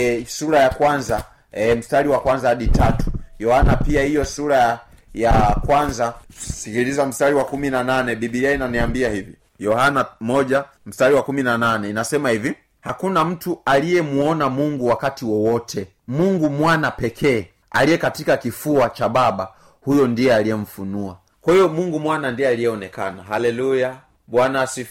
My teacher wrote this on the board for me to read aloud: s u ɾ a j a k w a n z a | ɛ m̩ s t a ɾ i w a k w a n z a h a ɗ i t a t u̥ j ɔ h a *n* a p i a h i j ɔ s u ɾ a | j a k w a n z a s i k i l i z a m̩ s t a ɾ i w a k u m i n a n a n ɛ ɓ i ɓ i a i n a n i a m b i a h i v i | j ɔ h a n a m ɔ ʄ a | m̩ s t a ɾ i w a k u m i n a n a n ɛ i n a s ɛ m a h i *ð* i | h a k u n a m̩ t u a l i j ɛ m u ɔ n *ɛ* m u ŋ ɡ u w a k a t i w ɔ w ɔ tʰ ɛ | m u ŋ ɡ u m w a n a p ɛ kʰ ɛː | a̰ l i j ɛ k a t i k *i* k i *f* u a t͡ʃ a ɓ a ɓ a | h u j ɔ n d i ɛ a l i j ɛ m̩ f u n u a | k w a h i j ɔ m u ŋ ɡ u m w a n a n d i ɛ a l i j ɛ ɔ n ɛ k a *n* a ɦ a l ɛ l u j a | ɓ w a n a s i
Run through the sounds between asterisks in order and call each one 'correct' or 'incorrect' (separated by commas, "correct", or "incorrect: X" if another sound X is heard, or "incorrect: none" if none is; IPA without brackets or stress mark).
correct, incorrect: v, incorrect: a, incorrect: a, correct, correct